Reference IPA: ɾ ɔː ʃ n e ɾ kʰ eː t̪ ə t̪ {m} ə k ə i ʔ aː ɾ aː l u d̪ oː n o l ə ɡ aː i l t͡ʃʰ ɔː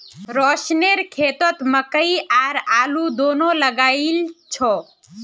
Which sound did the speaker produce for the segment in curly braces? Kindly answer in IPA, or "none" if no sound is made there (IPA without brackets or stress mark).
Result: m